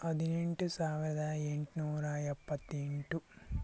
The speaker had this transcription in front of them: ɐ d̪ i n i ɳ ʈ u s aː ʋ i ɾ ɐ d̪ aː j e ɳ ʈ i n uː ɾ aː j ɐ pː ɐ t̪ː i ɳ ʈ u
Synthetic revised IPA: ɐ d̪ i n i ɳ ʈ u s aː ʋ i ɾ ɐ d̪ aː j e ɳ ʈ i n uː ɾ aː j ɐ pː ɐ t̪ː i ɳ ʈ u

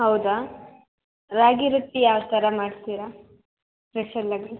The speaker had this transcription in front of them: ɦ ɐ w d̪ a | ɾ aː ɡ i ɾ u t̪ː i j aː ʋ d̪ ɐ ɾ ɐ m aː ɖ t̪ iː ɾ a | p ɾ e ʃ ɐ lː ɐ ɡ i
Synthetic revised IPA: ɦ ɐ w d̪ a | ɾ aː ɡ i ɾ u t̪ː i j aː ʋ t̪ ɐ ɾ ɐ m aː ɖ t̪ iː ɾ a | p ɾ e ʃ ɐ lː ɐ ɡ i

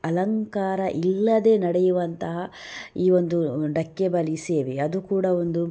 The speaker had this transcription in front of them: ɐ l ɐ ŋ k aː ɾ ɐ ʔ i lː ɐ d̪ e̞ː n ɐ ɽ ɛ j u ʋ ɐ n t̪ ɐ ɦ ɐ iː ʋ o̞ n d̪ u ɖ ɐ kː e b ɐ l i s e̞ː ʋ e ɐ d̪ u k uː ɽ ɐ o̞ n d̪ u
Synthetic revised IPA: ɐ l ɐ ŋ k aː ɾ ɐ ʔ i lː ɐ d̪ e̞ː n ɐ ɽ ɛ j u ʋ ɐ n t̪ ɐ ɦ ɐ iː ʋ o̞ n d̪ u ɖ ɐ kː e b ɐ l i s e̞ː ʋ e ɐ d̪ u k uː ɽ ɐ o̞ n d̪ u

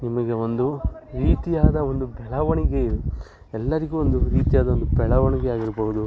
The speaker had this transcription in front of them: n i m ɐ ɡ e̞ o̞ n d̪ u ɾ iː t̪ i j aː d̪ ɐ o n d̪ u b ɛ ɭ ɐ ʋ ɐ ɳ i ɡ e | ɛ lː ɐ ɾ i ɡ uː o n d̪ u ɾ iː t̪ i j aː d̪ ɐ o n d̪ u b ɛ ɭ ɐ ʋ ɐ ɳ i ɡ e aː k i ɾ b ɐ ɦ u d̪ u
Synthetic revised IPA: n i m ɐ ɡ e̞ o̞ n d̪ u ɾ iː t̪ i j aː d̪ ɐ o n d̪ u b ɛ ɭ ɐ ʋ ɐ ɳ i ɡ e | ɛ lː ɐ ɾ i ɡ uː o n d̪ u ɾ iː t̪ i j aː d̪ ɐ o n d̪ u b ɛ ɭ ɐ ʋ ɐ ɳ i ɡ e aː ɡ i ɾ b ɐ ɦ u d̪ u

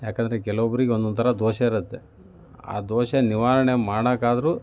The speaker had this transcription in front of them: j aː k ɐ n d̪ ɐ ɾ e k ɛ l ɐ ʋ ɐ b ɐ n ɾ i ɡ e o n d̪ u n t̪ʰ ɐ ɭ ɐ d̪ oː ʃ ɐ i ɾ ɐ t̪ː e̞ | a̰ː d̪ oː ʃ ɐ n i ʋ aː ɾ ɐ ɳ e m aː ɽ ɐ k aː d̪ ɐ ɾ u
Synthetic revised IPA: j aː k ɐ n d̪ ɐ ɾ e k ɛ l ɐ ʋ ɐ b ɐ ɾ i ɡ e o n d̪ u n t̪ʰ ɐ ɾ ɐ d̪ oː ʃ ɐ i ɾ ɐ t̪ː e̞ | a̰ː d̪ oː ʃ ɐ n i ʋ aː ɾ ɐ ɳ e m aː ɽ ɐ k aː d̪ ɐ ɾ u

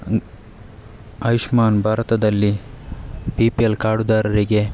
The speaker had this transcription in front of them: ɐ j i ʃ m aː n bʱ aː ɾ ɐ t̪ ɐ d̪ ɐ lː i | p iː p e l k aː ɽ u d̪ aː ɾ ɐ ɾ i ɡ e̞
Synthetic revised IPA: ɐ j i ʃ m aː n bʱ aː ɾ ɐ t̪ ɐ d̪ ɐ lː i | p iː p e l k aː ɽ u d̪ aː ɾ ɐ ɾ i ɡ e̞

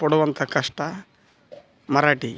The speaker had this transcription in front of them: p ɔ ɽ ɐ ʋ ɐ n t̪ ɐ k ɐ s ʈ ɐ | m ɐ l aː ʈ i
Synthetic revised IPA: p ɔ ɽ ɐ ʋ ɐ n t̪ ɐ k ɐ ʂ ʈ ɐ | m ɐ ɾ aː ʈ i

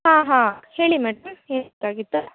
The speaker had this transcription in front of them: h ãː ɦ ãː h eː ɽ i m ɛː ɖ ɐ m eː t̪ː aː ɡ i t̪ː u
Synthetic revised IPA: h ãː ɦ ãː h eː ɭ i m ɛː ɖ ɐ m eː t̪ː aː ɡ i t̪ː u

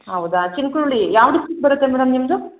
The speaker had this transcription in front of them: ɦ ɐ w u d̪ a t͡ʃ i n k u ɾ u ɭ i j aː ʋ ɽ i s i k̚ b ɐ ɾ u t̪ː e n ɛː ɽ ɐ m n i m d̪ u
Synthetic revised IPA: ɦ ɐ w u d̪ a t͡ʃ i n k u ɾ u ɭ i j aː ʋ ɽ i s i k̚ b ɐ ɾ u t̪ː e m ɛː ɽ ɐ m n i m d̪ u

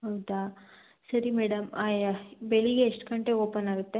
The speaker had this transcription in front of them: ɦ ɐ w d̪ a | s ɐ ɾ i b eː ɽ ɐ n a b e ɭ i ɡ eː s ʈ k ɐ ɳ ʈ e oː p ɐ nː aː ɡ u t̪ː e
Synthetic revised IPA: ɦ ɐ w d̪ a | s ɐ ɾ i m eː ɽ ɐ m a b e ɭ i ɡ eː ʂ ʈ k ɐ ɳ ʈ e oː p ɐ n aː ɡ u t̪ː e

